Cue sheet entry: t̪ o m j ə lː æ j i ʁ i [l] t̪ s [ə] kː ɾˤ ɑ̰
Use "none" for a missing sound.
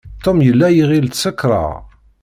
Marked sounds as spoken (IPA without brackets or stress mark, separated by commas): l, ə